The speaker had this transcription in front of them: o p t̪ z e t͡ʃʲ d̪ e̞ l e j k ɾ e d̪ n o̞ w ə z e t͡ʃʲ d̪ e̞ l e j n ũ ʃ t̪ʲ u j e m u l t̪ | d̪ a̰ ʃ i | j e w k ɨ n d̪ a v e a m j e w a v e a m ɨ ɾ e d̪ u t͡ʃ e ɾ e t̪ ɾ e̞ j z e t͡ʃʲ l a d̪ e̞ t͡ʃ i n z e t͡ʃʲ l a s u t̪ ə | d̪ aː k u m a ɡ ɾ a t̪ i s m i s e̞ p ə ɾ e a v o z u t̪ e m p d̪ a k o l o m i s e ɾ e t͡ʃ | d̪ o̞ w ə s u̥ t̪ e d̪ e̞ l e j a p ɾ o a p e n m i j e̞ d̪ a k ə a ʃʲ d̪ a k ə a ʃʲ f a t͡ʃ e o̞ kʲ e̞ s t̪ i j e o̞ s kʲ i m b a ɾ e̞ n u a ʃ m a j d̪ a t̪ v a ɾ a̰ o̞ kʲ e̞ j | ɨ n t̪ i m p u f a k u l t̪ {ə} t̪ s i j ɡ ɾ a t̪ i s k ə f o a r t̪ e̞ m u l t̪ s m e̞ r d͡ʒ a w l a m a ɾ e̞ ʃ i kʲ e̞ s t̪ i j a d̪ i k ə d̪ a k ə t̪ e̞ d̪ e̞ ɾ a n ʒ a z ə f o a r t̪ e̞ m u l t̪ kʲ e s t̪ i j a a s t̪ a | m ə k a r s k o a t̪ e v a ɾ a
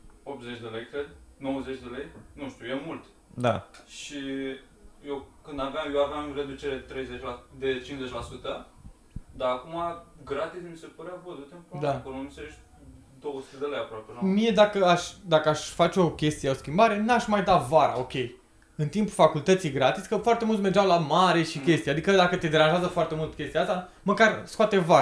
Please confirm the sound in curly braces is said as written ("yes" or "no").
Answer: yes